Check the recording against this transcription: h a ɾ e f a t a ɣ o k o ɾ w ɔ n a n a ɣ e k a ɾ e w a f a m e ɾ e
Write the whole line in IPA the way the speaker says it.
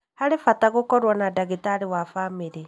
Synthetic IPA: h a ɾ e f a t a ɣ o k ɔ ɾ w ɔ n a d a ɣ e t a ɾ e w a f a m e ɾ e

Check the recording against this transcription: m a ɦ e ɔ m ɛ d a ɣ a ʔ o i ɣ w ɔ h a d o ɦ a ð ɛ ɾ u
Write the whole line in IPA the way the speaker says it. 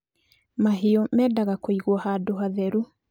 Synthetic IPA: m a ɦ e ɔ m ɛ d a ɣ a k o i ɣ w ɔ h a d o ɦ a ð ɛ ɾ u

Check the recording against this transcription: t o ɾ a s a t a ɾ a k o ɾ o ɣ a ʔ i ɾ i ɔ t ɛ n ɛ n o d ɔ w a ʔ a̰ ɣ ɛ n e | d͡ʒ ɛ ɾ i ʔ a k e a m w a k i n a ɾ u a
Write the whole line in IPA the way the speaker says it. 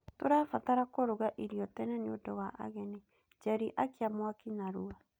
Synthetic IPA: t o ɾ a f a t a ɾ a k o ɾ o ɣ a ʔ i ɾ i ɔ t ɛ n ɛ n o d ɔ w a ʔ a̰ ɣ ɛ n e | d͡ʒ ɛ ɾ i ʔ a k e a m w a k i n a ɾ u a

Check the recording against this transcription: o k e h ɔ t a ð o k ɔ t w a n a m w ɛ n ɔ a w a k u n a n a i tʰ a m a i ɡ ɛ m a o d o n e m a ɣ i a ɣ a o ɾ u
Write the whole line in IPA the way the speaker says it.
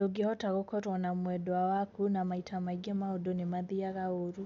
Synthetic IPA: o ɡ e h ɔ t a ɣ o k ɔ t w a n a m w ɛ d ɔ a w a k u n a m a i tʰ a m a i ɡ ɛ m a o d o n e m a ð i a ɣ a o ɾ u

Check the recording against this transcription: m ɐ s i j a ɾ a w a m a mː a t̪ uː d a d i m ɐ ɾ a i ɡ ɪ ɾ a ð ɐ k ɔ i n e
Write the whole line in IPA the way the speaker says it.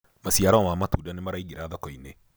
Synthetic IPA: m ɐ s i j a ɾ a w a m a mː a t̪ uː d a n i m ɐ ɾ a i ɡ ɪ ɾ a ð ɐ k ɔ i n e

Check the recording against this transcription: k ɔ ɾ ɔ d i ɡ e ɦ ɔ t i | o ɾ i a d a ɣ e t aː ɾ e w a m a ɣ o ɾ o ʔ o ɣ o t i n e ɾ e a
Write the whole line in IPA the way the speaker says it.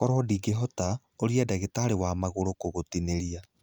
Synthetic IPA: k ɔ ɾ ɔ d i ɡ e ɦ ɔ t a | o ɾ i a d a ɣ e t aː ɾ e w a m a ɣ o ɾ o k o ɣ o t i n e ɾ i a

